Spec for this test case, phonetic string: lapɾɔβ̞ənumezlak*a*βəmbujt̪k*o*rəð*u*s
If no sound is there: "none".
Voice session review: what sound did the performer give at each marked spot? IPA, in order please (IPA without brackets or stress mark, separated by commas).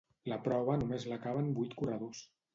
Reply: a, u, o